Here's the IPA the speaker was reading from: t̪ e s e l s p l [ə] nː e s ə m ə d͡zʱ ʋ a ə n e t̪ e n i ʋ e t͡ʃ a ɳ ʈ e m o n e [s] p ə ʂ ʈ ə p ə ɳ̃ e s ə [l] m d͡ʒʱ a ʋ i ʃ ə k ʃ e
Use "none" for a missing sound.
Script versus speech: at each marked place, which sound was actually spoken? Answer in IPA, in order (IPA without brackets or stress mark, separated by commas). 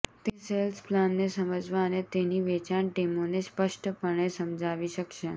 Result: a, s, none